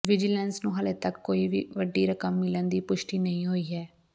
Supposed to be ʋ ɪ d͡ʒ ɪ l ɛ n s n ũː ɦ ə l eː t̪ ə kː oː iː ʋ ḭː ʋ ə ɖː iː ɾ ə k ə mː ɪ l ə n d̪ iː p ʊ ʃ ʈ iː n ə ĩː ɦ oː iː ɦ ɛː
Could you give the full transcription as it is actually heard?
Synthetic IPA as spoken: ʋ ɪ d͡ʒ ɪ l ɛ n s n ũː ɦ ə l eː t̪ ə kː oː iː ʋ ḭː ʋ ə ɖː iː ɾ ə k ə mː ɪ l ə n d̪ iː p ʊ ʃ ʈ iː n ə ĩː ɦ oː iː ɦ ɛː